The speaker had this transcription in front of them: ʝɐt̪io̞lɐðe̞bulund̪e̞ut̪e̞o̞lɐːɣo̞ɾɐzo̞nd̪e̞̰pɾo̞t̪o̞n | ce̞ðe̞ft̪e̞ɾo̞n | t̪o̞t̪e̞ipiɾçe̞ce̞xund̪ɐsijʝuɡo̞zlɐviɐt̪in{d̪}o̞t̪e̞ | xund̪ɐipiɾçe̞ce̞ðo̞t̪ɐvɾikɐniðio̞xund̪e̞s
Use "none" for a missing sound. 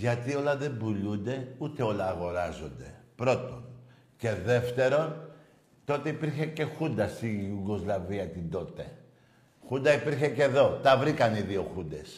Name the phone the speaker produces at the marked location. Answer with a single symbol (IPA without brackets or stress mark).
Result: d̪